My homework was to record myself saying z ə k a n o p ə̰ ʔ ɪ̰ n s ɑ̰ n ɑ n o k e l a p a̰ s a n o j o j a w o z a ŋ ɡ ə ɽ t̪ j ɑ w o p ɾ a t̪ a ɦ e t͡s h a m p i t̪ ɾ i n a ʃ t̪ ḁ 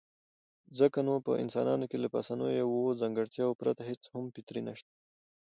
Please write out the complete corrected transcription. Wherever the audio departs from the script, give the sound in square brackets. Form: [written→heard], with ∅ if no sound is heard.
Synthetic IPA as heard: z ə k a n o p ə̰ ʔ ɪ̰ n s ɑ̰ n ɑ n o k e l a p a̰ s a n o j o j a w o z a ŋ ɡ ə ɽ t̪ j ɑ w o p ɾ a t̪ a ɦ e t͡s h a m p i t̪ ɾ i n a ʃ t̪ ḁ